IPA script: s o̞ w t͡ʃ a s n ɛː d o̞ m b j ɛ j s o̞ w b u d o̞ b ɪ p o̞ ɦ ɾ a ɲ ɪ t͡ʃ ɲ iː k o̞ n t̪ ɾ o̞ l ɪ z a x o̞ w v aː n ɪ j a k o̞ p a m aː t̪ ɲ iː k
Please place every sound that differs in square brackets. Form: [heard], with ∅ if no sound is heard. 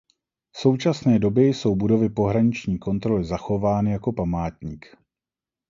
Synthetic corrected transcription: s o̞ w t͡ʃ a s n ɛː d o̞ [∅] b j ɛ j s o̞ w b u d o̞ [v] ɪ p o̞ ɦ ɾ a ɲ ɪ t͡ʃ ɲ iː k o̞ n t̪ ɾ o̞ l ɪ z a x o̞ [∅] v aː n ɪ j a k o̞ p a m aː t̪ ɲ iː k